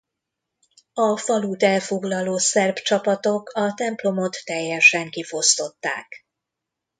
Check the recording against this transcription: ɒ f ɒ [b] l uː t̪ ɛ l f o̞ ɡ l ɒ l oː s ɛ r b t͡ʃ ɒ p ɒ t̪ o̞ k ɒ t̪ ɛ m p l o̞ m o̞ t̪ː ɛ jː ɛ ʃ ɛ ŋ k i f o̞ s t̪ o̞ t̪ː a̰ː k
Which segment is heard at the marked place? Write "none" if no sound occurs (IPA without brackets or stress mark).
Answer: none